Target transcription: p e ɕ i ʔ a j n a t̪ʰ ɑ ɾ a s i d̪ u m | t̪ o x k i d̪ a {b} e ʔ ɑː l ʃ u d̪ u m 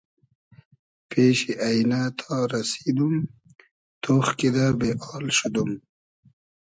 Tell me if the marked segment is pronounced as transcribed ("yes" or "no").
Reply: yes